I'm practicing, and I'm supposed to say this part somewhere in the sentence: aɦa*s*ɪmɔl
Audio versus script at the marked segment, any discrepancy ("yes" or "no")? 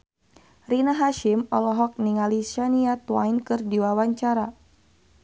yes